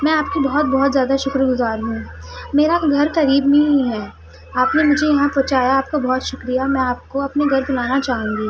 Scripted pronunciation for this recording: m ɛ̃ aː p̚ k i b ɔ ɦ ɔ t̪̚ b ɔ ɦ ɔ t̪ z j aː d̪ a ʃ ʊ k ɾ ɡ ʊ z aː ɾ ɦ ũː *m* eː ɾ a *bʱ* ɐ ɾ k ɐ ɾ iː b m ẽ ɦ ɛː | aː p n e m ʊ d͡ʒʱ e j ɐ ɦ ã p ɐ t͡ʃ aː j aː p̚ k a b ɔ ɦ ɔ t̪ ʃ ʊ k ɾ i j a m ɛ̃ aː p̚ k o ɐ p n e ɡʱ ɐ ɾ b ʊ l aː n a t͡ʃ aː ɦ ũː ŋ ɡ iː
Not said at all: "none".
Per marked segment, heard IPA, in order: m, ɡʱ

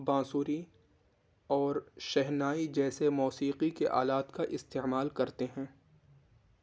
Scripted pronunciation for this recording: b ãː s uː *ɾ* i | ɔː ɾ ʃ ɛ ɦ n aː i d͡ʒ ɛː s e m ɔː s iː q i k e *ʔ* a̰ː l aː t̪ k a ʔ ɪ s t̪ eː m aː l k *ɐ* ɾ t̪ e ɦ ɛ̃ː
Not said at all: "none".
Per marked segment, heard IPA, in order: ɾ, ʔ, ɐ

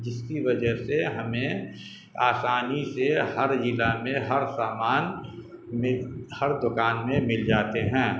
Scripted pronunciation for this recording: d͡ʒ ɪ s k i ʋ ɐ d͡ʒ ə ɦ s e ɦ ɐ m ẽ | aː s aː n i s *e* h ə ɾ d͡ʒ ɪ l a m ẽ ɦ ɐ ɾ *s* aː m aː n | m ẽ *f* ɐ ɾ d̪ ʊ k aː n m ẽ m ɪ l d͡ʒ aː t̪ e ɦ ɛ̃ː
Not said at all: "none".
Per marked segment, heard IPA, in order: e, s, h

